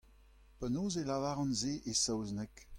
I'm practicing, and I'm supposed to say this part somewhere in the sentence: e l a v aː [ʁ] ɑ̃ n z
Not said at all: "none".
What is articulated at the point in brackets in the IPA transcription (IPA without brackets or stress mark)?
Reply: ʁ